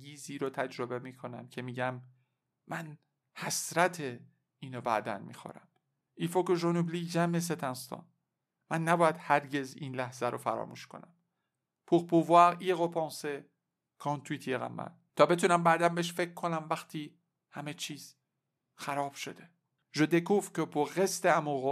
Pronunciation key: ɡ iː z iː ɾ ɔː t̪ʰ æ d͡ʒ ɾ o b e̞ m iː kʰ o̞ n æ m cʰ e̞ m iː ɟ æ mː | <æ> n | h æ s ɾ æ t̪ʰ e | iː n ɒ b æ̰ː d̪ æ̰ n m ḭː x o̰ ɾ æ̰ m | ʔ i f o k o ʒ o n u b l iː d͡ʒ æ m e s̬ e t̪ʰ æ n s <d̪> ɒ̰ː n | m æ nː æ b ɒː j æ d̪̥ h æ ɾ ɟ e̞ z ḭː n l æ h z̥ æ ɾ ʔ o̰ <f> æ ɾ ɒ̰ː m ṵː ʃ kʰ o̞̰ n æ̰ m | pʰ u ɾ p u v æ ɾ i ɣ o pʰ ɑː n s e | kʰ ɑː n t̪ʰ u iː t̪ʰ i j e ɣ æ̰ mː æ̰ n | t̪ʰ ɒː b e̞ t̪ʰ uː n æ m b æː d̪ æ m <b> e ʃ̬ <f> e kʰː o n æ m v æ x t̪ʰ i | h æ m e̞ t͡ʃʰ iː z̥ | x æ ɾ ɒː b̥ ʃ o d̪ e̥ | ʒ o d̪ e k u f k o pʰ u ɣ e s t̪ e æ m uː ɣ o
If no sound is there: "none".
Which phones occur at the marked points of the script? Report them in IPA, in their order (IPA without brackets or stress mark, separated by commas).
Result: æ, t̪, f, b, f